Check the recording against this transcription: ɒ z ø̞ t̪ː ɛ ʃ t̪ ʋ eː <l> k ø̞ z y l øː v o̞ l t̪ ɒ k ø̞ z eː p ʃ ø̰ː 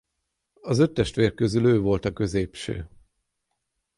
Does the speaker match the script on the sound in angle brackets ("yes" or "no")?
no